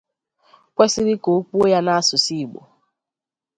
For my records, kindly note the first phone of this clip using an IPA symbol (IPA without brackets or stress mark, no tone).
kʷ